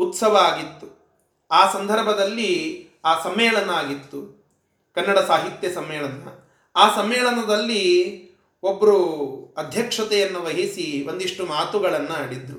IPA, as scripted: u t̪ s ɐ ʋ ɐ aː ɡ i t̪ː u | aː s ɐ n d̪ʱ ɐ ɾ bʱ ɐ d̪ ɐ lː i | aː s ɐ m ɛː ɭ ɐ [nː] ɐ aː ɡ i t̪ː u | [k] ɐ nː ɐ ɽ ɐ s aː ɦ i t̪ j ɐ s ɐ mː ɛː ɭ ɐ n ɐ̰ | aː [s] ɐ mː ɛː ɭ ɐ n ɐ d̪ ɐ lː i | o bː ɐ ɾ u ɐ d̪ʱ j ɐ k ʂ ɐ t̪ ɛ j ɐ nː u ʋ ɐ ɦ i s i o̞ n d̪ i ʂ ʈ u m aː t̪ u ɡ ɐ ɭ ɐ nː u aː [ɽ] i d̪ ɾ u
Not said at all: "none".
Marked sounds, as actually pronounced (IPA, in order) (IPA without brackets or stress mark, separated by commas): n, k, s, ɽ